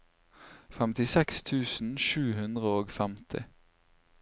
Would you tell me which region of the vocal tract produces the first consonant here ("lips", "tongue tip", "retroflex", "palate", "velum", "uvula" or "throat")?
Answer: lips